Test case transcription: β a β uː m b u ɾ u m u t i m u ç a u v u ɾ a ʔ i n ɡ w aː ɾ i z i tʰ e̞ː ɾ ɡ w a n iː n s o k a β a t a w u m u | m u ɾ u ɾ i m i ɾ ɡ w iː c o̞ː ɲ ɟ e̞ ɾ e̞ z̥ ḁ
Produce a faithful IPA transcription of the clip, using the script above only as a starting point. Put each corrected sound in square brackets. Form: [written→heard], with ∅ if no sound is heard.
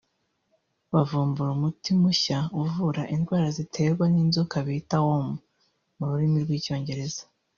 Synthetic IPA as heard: β a [β→v] uː m b u ɾ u m u t i m u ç a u v u ɾ a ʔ i n ɡ w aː ɾ [i→a] z i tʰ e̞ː ɾ ɡ w a n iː n [s→z] o k a β [a→i] t a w [u→o] m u | m u ɾ u ɾ i m i ɾ ɡ w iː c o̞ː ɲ ɟ e̞ ɾ e̞ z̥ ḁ

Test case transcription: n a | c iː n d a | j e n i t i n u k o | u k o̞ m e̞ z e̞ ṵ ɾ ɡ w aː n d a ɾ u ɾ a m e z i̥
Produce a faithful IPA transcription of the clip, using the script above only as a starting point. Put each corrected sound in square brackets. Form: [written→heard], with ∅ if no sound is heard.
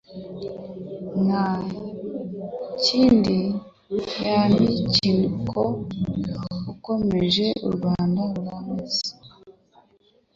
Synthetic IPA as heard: n a | c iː n d [a→i] | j [e→a] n i [t→c] i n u k o | u k o̞ m e̞ [z→ʒ] e̞ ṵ ɾ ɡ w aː n d a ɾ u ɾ a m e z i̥

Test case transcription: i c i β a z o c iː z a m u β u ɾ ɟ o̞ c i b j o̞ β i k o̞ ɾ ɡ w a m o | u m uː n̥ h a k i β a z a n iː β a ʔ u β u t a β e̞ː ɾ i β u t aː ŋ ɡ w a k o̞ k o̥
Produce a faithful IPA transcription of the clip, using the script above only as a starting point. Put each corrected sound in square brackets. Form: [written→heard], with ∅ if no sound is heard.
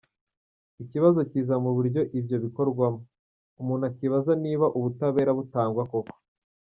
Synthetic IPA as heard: i c i β a z o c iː z a m u β u ɾ ɟ o̞ [c→ʔ] i b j o̞ β i k o̞ ɾ ɡ w a m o | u m uː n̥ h a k i β a z a n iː β a ʔ u β u t a β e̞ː ɾ [i→a] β u t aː ŋ ɡ w a k o̞ k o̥

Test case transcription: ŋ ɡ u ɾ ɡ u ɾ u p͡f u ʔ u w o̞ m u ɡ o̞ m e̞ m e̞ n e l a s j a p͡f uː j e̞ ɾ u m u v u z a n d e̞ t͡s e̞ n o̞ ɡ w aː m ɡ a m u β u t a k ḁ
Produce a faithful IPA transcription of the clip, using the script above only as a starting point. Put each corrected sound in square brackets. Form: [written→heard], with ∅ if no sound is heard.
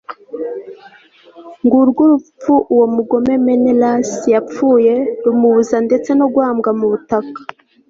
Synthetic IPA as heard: ŋ ɡ u ɾ ɡ u ɾ u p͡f u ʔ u w o̞ m u ɡ o̞ m e̞ m e̞ n e l a s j a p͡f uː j e̞ ɾ u m u [v→β] u z a n d e̞ t͡s e̞ n o̞ ɡ w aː m ɡ a m u β u t a k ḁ

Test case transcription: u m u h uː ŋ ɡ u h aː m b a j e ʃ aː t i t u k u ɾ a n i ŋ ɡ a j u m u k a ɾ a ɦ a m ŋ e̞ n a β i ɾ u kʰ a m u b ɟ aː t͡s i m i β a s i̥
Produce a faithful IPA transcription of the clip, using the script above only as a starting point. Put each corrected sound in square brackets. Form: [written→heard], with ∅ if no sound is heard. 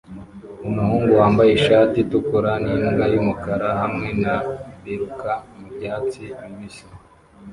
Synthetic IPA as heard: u m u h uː ŋ ɡ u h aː m b a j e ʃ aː t i t u k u ɾ a n i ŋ ɡ a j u m u k a ɾ a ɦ a m ŋ e̞ n a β i ɾ u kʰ a m u b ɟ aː t͡s i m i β [a→i] s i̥

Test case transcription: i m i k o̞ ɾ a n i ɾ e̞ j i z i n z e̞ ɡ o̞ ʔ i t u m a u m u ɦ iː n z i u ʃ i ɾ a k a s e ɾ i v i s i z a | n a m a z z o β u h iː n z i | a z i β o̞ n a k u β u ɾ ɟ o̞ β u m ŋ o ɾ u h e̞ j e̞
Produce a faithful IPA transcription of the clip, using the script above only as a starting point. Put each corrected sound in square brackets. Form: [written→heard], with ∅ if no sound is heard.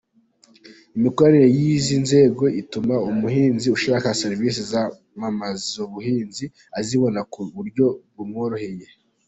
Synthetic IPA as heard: i m i k o̞ ɾ a n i ɾ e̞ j i z i n z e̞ ɡ o̞ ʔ i t u m a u m u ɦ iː n z i u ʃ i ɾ a k a s e ɾ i v i s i z a | [n→m] a m a z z o β u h iː n z i | a z i β o̞ n a k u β u ɾ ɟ o̞ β u m ŋ o ɾ [u→o] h e̞ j e̞

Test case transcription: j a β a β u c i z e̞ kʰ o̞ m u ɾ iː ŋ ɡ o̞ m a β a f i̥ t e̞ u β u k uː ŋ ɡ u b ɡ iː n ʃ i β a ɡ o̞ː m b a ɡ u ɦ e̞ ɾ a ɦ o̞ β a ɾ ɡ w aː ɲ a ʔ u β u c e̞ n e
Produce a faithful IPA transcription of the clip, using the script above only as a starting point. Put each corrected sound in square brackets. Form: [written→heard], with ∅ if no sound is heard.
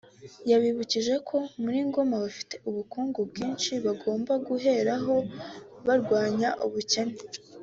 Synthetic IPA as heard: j a β [a→i] β u c i [z→ʒ] e̞ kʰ o̞ m u ɾ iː ŋ ɡ o̞ m a β a f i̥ t e̞ u β u k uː ŋ ɡ u b ɡ iː n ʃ i β a ɡ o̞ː m b a ɡ u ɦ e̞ ɾ a ɦ o̞ β a ɾ ɡ w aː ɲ a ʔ u β u c e̞ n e

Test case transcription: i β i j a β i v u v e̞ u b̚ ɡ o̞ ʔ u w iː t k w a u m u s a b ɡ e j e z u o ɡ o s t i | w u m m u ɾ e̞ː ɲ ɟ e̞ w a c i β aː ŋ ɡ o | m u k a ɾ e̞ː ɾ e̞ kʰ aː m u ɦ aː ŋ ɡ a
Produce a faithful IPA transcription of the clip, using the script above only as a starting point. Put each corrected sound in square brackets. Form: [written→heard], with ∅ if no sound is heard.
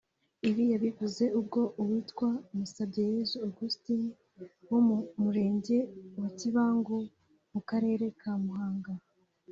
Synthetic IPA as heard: i β i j a β i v u [v→z] e̞ u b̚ ɡ o̞ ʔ u w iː t k w a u m u s a b [ɡ→ɟ] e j e z u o ɡ [o→u] s t i | w [u→o] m m u ɾ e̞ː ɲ ɟ e̞ w a c i β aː ŋ ɡ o | m u k a ɾ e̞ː ɾ e̞ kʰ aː m u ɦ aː ŋ ɡ a

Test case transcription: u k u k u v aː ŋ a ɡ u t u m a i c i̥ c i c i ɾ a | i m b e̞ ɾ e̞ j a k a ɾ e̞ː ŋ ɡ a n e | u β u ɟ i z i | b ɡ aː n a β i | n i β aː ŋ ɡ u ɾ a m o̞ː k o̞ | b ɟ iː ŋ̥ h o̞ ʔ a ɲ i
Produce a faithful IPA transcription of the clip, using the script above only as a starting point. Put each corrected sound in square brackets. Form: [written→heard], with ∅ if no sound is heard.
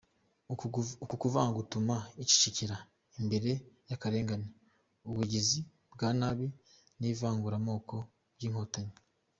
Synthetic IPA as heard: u k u k u v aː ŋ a ɡ u t u m a i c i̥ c i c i ɾ a | i m b e̞ ɾ e̞ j a k a ɾ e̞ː ŋ ɡ a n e | u β u ɟ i z i | b ɡ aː n a β i | n i [β→v] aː ŋ ɡ u ɾ a m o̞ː k o̞ | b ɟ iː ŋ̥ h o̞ [ʔ→t] a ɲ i

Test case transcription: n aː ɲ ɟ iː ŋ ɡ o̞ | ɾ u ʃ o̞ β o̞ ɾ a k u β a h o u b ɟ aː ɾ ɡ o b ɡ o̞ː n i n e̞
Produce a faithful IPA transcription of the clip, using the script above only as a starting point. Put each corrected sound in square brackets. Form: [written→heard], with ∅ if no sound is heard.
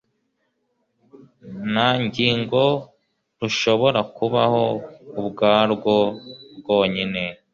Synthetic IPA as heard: n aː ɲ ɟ iː ŋ ɡ o̞ | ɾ u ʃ o̞ β o̞ ɾ a k u β a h o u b [ɟ→ɡ] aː ɾ ɡ o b ɡ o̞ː [n→ɲ] i n e̞

